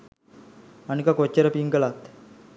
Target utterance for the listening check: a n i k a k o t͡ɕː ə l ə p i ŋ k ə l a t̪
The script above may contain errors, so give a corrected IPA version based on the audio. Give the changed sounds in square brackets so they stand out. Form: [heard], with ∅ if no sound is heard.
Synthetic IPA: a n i k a k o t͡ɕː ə [ɾ] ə p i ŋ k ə l a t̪